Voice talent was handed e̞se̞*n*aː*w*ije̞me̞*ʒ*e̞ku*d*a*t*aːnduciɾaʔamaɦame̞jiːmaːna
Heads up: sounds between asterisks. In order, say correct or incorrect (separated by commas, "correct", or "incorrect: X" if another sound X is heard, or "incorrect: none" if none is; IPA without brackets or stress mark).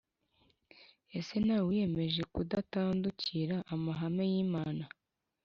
correct, correct, correct, correct, correct